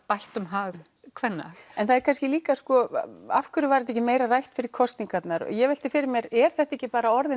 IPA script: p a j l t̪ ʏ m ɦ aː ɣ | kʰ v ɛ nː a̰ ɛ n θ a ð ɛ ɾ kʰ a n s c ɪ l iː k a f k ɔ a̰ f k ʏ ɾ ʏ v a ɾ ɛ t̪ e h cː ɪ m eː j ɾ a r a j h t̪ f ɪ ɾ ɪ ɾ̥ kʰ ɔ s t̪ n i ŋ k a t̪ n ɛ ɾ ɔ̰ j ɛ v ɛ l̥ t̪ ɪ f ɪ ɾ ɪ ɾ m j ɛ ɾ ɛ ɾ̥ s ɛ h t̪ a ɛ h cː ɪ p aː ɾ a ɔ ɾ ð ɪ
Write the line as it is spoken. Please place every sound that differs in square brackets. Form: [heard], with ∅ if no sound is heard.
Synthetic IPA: p a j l t̪ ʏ m ɦ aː ɣ | kʰ v ɛ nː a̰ ɛ n θ a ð ɛ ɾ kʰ a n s c ɪ l iː k a [s] k ɔ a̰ f k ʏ ɾ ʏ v a ɾ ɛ t̪ [ɛ] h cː ɪ m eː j ɾ a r a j h t̪ f ɪ ɾ ɪ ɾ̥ kʰ ɔ s t̪ n i ŋ k a t̪ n [a] ɾ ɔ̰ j ɛ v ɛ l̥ t̪ ɪ f ɪ ɾ ɪ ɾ m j ɛ ɾ ɛ ɾ̥ [θ] ɛ h t̪ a ɛ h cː ɪ p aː ɾ a ɔ ɾ ð ɪ

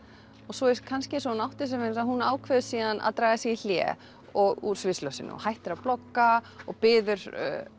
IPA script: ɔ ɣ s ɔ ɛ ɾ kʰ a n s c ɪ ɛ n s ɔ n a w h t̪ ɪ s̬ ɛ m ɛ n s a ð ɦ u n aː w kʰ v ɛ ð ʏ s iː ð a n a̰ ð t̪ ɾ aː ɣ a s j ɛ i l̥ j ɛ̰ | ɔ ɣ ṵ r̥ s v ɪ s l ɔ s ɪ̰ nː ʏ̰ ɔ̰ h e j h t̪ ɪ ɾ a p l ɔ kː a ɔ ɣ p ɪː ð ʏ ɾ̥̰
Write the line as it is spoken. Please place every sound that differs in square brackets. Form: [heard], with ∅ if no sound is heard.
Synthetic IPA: ɔ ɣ s ɔ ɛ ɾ kʰ a n s c ɪ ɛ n s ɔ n a w h t̪ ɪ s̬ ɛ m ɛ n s a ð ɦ u n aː w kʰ v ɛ ð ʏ s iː ð a n a̰ ð t̪ ɾ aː ɣ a s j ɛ i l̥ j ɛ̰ | ɔ ɣ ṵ [ɾ̥] s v ɪ s l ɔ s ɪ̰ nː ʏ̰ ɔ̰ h [a] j h t̪ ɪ ɾ a p l ɔ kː a ɔ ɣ p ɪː ð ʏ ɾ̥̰

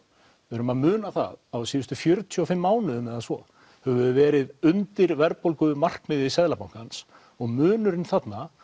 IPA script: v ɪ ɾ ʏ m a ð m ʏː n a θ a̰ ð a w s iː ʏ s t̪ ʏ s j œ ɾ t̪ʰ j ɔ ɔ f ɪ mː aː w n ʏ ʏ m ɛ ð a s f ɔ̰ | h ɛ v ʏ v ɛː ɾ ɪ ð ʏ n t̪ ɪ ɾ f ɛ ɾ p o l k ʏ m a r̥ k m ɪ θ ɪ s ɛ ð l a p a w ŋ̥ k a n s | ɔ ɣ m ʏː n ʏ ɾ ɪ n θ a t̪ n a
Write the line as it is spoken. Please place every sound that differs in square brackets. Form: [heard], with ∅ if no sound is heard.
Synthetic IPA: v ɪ ɾ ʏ m a ð m ʏː n a θ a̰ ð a w s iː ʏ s t̪ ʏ [f] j œ ɾ t̪ʰ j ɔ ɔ f ɪ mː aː w n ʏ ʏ m ɛ ð a s [v] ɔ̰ | h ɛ v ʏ v ɛː ɾ ɪ ð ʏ n t̪ ɪ ɾ [v] ɛ ɾ p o l k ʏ m a r̥ k m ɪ [ð] ɪ s ɛ ð l a p a w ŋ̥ k a n s | ɔ ɣ m ʏː n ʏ ɾ ɪ n θ a t̪ n a

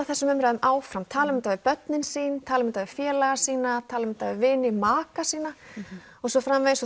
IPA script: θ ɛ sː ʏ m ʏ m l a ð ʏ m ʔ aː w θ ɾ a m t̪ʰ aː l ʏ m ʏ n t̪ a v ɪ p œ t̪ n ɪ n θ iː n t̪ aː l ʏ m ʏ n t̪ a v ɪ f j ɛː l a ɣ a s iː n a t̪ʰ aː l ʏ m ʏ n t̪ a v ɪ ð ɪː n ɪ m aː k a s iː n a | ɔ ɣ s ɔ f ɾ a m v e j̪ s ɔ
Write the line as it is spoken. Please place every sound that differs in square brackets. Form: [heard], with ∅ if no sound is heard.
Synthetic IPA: θ ɛ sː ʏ m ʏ m [ɾ] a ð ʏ m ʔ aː w [f] ɾ a m t̪ʰ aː l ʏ m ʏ n t̪ a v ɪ p œ t̪ n ɪ n [s] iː n [t̪ʰ] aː l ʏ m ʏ n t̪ a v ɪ f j ɛː l a ɣ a s iː n a t̪ʰ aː l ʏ m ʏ n t̪ a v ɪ [v] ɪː n ɪ m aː k a s iː n a | ɔ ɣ s ɔ f ɾ a m v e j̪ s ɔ

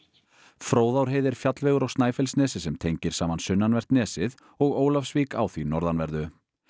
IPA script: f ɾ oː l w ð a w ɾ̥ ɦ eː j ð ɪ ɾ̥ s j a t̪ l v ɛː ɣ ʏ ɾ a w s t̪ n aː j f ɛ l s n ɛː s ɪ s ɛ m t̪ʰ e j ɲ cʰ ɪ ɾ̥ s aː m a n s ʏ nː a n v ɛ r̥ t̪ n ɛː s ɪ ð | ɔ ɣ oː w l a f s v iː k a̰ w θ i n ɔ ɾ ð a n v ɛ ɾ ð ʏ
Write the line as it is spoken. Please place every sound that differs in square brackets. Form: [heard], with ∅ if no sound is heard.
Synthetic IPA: f ɾ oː [∅] w ð a w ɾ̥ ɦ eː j ð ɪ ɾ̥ [f] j a t̪ l v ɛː ɣ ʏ ɾ a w s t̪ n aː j f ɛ l s n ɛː s ɪ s ɛ m t̪ʰ e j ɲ [c] ɪ ɾ̥ s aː m a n s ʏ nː a n v ɛ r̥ t̪ n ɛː s ɪ ð | ɔ ɣ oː w l a f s v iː k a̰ w θ i n ɔ ɾ ð a n v ɛ ɾ ð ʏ

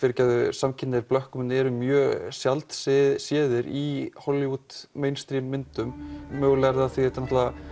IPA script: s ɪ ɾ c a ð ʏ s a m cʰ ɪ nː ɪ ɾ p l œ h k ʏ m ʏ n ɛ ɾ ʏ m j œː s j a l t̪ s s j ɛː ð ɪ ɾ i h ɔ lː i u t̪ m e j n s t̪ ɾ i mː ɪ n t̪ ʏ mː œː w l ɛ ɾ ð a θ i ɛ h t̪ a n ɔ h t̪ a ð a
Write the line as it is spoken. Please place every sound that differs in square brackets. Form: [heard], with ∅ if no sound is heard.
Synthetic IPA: [f] ɪ ɾ c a ð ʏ s a m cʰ ɪ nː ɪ ɾ p l œ h k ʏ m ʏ n ɛ ɾ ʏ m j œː s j a l t̪ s s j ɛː ð ɪ ɾ i h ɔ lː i u t̪ m e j n s t̪ ɾ i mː ɪ n t̪ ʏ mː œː [ɣ] l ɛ ɾ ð a θ i ɛ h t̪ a n ɔ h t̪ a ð a

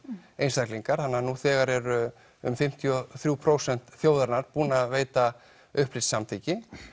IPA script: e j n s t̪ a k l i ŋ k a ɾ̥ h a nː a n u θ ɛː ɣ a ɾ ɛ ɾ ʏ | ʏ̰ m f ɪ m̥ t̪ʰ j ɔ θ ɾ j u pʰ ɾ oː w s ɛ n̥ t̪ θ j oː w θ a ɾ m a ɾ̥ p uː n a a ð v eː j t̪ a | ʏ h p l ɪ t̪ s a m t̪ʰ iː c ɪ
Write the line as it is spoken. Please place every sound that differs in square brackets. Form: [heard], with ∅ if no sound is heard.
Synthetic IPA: e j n s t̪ a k l i ŋ k a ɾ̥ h a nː a n u θ ɛː ɣ a ɾ ɛ ɾ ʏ | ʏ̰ m f ɪ m̥ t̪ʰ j ɔ θ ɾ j u pʰ ɾ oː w s ɛ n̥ t̪ θ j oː w [ð] a ɾ [n] a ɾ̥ p uː n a a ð v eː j t̪ a | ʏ h p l ɪ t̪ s a m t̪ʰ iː c ɪ

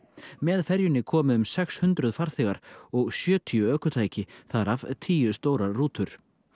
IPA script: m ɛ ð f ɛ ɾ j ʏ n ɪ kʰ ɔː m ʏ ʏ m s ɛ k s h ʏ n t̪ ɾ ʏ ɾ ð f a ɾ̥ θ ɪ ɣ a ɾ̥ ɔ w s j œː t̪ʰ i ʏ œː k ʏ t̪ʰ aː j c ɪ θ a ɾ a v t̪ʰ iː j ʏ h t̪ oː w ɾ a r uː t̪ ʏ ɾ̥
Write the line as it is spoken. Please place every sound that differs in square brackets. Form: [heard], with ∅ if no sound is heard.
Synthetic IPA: m ɛ ð f ɛ ɾ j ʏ n ɪ kʰ ɔː m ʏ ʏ m s ɛ k s h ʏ n t̪ ɾ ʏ [∅] ð f a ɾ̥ θ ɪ ɣ a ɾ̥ ɔ [ɣ] s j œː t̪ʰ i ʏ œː k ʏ t̪ʰ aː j c ɪ θ a ɾ a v t̪ʰ iː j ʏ [s] t̪ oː w ɾ a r uː t̪ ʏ ɾ̥

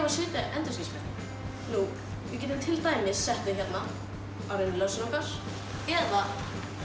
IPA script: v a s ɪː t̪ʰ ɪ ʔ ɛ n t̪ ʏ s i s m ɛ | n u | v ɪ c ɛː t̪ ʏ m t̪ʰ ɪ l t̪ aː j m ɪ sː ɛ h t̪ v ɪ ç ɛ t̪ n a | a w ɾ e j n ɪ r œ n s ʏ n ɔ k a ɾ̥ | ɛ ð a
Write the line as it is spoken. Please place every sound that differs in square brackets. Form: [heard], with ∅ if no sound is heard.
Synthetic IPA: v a s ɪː [t̪] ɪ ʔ ɛ n t̪ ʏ s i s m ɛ | n u | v ɪ c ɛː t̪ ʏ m t̪ʰ ɪ l t̪ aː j m ɪ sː ɛ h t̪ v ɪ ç ɛ t̪ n a | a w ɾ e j n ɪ [l] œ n s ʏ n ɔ k a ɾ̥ | ɛ ð a

